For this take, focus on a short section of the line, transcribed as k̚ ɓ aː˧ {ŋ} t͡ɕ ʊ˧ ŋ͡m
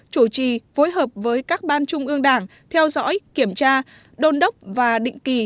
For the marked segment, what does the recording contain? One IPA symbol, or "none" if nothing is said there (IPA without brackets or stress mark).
n